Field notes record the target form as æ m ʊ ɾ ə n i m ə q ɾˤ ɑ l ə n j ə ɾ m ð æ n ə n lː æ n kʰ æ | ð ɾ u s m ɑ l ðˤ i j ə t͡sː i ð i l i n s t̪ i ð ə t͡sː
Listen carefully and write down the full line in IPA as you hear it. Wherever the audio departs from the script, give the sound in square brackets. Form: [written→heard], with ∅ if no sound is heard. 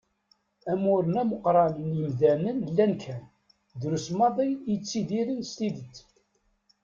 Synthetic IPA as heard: æ m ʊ ɾ ə n [i→æ] m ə q ɾˤ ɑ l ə n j ə [ɾ→∅] m ð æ n ə n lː æ n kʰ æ | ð ɾ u s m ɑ [l→∅] ðˤ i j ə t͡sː i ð i [l→ɾ] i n s t̪ i ð ə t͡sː